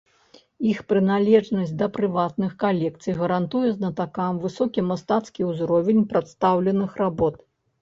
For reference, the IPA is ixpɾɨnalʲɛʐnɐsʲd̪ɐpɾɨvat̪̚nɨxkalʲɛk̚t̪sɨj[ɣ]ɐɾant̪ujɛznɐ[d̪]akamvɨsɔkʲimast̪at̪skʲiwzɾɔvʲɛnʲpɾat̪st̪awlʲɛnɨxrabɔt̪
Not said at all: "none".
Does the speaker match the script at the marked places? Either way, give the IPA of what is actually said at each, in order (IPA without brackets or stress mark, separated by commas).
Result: ɣ, t̪